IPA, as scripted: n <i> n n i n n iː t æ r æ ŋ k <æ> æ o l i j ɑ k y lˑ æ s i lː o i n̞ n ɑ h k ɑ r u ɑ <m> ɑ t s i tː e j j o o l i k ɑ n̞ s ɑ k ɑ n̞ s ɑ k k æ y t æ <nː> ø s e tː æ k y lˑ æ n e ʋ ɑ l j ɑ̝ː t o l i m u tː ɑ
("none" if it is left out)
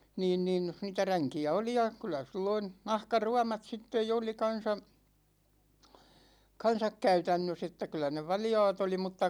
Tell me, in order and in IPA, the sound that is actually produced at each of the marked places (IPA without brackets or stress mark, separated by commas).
iː, i, m, nː